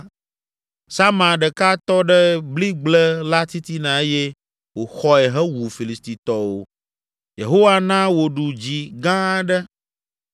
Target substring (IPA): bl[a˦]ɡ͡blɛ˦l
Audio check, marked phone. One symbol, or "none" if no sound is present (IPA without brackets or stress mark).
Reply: i˦